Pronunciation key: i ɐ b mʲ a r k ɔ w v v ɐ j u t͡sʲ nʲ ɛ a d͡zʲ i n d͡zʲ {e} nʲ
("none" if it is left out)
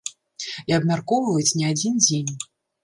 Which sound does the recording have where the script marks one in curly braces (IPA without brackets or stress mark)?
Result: e